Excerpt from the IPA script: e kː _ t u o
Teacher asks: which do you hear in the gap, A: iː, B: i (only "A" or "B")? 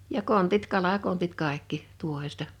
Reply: B